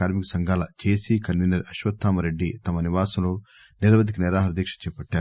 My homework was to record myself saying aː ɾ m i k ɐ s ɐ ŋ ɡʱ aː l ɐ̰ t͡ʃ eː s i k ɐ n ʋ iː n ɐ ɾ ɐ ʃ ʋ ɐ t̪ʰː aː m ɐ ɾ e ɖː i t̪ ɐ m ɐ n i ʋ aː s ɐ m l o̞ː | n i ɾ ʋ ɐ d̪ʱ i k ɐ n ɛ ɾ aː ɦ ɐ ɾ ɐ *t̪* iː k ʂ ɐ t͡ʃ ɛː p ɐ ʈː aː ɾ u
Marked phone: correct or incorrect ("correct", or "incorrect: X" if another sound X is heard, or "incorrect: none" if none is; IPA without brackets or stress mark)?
incorrect: d̪